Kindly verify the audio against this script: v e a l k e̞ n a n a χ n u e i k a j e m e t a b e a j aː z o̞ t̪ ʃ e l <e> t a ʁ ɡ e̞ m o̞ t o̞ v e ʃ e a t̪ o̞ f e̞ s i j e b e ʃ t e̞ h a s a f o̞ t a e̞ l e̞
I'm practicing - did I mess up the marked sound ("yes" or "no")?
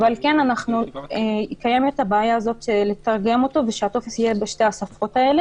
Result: no